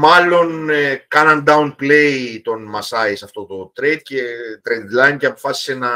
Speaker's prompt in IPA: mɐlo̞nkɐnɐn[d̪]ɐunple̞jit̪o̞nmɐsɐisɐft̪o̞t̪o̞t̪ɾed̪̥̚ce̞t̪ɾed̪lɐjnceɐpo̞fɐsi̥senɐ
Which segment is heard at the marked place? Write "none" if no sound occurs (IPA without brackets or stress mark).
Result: d̪